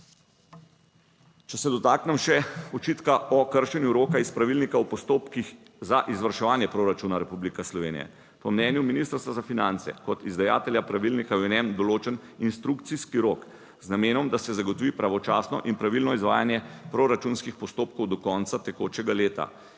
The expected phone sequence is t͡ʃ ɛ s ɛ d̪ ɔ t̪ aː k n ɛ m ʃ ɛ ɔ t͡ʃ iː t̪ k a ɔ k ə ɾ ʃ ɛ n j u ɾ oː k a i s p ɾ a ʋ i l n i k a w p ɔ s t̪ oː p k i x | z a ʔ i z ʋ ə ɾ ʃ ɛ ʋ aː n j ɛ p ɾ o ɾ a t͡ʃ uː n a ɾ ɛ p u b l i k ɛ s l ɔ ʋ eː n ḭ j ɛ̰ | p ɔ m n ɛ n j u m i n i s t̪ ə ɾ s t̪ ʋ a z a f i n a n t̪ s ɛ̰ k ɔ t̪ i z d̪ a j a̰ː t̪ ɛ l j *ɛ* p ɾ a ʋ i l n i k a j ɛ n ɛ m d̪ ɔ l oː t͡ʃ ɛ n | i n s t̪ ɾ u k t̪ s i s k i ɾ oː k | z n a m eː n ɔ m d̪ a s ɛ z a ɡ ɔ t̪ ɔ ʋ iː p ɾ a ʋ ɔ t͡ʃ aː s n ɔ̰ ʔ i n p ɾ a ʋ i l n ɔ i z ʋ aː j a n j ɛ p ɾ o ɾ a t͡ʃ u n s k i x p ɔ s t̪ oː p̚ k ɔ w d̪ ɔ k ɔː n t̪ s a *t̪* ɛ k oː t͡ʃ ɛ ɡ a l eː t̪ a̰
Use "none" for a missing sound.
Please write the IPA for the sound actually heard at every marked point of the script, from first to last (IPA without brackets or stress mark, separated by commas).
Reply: a, t̪